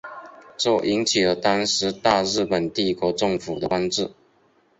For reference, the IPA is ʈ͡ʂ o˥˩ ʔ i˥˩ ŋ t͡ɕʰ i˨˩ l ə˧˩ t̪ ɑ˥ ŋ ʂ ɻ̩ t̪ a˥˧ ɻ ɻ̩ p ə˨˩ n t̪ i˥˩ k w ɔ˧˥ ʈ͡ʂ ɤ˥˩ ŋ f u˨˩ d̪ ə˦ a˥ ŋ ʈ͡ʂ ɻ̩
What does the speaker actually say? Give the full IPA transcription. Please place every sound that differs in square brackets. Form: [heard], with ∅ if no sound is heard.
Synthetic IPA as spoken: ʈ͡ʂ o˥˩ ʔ [i˧˥] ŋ t͡ɕʰ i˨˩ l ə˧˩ t̪ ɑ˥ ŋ ʂ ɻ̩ t̪ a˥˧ ɻ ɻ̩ p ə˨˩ n t̪ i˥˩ k w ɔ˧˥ ʈ͡ʂ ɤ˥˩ ŋ f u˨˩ d̪ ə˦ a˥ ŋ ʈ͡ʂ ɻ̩